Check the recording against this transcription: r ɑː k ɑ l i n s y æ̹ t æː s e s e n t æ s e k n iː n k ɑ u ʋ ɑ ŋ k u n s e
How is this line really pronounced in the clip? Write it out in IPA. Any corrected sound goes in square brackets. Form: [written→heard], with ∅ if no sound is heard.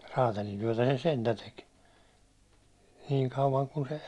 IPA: r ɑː [k→t] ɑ l i n [s→t] y æ̹ t [æː→æ] s e s e n t æ [s→t] e k n iː [n→ŋ] k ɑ u ʋ ɑ ŋ k u n s e